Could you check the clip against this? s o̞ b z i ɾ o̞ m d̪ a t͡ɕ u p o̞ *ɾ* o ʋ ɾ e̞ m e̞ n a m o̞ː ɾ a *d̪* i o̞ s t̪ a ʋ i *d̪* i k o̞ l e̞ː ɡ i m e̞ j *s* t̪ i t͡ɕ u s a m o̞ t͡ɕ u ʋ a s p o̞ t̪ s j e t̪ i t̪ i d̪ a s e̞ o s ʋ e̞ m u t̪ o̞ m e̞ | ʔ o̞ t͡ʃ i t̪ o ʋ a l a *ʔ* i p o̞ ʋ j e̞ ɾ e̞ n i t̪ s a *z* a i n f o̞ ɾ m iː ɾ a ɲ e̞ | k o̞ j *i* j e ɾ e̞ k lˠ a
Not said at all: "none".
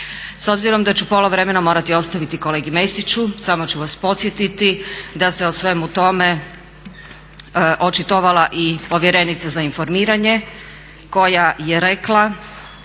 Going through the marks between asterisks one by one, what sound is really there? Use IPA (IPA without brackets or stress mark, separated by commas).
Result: l, t̪, t̪, s, ʔ, z, a